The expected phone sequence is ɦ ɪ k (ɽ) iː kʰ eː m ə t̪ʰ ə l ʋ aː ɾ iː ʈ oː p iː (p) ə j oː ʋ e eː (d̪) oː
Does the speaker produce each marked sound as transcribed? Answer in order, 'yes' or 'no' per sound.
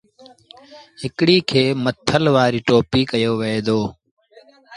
yes, no, yes

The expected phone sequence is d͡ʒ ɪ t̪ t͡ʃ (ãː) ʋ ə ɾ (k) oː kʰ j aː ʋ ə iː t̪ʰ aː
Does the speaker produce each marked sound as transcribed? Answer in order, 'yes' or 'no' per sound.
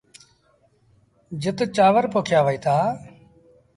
no, no

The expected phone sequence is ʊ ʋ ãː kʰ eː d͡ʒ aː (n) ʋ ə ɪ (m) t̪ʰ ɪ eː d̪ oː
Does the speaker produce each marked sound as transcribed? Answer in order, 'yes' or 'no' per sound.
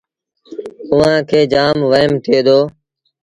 no, yes

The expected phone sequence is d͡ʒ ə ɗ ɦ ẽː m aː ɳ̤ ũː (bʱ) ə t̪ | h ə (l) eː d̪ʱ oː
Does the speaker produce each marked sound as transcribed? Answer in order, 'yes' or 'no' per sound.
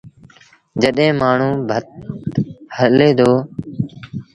yes, yes

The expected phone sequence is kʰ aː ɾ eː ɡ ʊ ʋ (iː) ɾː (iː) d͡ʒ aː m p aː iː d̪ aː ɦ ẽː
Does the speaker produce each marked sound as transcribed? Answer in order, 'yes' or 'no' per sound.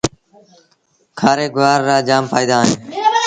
no, no

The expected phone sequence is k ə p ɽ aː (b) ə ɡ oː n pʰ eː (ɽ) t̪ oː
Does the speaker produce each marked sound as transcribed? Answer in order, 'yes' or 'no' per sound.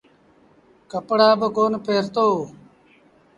yes, no

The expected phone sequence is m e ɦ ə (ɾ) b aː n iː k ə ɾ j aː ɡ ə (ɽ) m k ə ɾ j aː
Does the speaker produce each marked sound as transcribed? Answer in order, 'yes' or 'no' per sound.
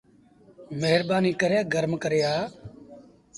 yes, no

